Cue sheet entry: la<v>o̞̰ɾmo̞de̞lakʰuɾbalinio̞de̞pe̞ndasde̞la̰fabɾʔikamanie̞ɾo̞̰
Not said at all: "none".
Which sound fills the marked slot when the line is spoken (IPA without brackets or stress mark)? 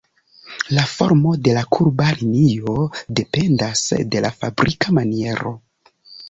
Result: f